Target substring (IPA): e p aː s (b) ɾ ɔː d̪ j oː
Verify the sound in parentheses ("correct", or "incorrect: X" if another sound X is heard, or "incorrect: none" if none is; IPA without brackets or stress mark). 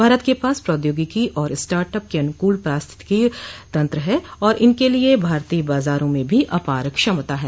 incorrect: p